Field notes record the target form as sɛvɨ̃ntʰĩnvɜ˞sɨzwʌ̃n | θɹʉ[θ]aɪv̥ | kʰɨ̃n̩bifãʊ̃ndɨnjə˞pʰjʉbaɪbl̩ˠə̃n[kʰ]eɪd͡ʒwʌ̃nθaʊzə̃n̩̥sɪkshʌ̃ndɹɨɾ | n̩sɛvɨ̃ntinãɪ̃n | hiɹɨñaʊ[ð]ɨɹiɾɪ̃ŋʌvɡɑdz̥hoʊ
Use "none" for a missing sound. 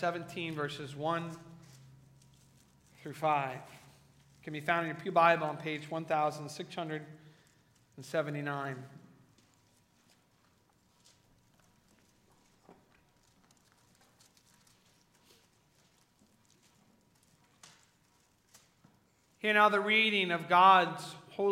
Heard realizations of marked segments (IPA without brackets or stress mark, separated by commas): f, pʰ, ð